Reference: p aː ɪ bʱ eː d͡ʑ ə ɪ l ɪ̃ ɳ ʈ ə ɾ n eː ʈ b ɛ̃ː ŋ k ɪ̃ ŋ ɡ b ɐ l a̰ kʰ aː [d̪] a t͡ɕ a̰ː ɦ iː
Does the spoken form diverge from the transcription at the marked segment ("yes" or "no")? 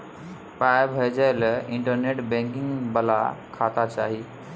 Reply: yes